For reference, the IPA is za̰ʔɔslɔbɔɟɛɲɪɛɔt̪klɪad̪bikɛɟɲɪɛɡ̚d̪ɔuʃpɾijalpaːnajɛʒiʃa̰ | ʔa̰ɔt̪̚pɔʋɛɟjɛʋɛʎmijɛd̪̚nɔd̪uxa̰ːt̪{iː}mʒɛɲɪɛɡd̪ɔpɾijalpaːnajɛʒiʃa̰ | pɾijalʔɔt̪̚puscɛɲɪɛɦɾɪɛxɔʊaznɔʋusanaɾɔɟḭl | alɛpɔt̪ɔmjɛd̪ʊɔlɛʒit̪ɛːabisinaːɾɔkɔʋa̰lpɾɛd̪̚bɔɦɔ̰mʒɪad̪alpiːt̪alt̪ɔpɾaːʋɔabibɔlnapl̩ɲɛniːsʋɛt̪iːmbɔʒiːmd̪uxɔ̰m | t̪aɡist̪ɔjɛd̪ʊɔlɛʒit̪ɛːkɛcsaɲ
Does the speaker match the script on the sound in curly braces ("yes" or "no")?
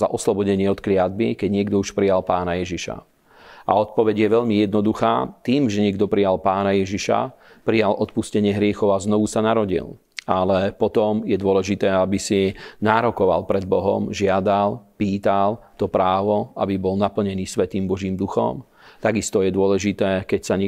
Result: yes